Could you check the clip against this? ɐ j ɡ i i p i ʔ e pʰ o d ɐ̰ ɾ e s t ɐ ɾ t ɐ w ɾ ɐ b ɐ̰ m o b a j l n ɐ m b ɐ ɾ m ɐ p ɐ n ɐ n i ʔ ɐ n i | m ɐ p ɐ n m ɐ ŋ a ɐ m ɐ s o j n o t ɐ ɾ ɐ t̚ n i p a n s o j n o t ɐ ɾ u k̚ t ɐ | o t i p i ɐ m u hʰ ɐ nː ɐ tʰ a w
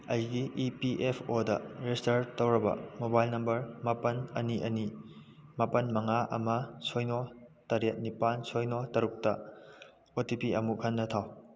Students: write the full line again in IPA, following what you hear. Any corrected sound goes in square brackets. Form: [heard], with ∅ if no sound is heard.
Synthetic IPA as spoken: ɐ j ɡ i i p i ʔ e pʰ o d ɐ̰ ɾ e s t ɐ ɾ t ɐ w ɾ ɐ b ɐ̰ m o b a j l n ɐ m b ɐ ɾ m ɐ p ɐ n ɐ n i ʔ ɐ n i | m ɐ p ɐ n m ɐ ŋ a ɐ m ɐ s o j n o t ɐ ɾ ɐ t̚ n i p a n s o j n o t ɐ ɾ u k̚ t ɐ | o t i p i ɐ m u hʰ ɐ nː ɐ tʰ a w